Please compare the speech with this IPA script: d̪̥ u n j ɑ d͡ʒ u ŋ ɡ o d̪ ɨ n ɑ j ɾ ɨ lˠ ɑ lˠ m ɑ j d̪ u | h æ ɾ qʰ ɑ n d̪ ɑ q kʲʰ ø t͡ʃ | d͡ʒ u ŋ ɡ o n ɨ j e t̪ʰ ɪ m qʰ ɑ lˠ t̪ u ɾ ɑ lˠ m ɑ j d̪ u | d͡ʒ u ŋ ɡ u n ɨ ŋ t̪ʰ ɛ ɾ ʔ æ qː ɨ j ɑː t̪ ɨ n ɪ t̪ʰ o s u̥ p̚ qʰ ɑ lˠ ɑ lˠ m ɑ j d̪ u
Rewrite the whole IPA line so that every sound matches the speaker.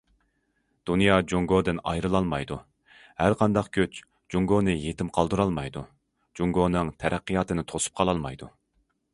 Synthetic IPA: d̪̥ u n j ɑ d͡ʒ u ŋ ɡ o d̪ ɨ n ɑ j ɾ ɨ lˠ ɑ lˠ m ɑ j d̪ u | h æ ɾ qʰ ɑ n d̪ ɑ q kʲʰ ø t͡ʃ | d͡ʒ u ŋ ɡ o n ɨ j e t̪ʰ ɪ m qʰ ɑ lˠ d̪ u ɾ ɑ lˠ m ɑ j d̪ u | d͡ʒ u ŋ ɡ o n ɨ ŋ t̪ʰ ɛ ɾ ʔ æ qː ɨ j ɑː t̪ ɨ n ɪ t̪ʰ o s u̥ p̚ qʰ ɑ lˠ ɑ lˠ m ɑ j d̪ u